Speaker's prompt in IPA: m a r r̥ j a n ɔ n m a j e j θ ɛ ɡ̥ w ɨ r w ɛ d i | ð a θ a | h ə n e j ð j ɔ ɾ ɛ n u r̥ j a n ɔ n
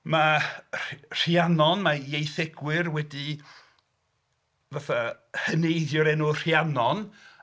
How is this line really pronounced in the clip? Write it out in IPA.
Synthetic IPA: m a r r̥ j a n ɔ n m a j e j θ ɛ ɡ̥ w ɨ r w ɛ d i | v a θ a | h ə n e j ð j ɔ ɾ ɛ n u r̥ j a n ɔ n